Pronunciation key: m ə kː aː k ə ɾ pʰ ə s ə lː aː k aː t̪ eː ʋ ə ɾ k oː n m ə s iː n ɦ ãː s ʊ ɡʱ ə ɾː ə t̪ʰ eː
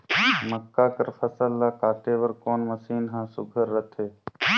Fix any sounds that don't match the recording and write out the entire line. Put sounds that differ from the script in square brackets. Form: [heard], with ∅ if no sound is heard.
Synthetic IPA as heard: m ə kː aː k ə ɾ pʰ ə s ə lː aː k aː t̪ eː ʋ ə ɾ k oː n m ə s iː n ɦ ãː s ʊ ɡʱ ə ɾː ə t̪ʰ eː